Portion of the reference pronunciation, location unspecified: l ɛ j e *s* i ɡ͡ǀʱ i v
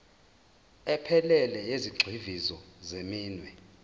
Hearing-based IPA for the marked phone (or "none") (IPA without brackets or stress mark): z